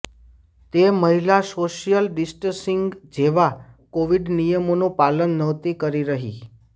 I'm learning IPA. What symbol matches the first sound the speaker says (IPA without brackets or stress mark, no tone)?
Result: t̪